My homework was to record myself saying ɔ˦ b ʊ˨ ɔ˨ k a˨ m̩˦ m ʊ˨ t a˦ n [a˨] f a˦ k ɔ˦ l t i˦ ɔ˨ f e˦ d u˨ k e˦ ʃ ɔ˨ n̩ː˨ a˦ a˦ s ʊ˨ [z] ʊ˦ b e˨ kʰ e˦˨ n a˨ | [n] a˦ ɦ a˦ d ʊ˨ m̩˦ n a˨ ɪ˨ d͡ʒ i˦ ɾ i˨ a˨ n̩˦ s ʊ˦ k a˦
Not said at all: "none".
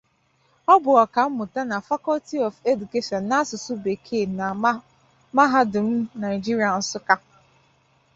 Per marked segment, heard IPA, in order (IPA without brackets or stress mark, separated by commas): a˨, s, m